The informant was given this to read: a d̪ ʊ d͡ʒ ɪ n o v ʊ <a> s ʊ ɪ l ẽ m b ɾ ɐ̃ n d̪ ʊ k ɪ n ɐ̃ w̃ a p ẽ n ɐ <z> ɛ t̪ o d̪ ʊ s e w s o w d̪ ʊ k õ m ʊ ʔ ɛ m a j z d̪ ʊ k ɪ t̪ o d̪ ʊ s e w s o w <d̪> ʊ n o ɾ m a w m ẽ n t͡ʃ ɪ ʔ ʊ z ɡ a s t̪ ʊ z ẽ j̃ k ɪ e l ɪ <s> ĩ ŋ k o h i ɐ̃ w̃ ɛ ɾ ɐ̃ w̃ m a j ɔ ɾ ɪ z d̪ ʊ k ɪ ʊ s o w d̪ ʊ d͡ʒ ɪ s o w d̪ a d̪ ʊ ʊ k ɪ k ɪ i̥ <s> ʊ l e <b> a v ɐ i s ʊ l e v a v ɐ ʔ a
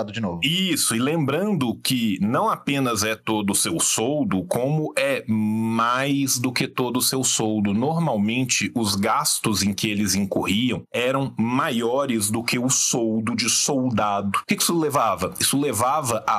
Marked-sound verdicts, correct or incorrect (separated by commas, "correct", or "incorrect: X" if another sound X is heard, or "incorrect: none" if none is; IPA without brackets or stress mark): incorrect: i, correct, correct, incorrect: z, correct, incorrect: v